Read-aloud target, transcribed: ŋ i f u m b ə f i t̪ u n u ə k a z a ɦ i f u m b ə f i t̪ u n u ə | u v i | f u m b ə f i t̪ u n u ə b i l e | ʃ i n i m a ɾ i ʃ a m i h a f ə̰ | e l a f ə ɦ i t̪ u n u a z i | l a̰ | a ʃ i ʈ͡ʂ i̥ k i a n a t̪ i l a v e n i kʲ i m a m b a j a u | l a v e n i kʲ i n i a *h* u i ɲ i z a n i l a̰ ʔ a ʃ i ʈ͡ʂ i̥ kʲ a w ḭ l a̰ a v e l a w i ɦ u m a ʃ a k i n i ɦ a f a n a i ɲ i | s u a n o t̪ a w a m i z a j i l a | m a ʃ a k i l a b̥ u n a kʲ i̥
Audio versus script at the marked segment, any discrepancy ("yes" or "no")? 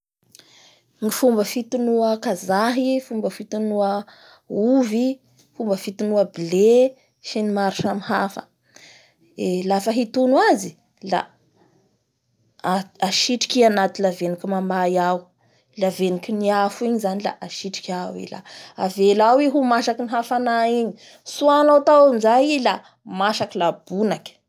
yes